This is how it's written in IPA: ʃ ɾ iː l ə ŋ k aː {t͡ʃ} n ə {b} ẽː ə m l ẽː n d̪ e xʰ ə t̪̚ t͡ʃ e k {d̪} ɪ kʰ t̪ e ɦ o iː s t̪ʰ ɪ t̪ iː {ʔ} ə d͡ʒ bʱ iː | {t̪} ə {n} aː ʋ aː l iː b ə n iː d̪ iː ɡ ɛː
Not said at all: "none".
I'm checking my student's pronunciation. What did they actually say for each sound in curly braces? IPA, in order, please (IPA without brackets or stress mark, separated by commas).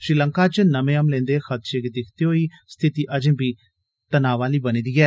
t͡ʃ, m, d̪, ʔ, t̪, n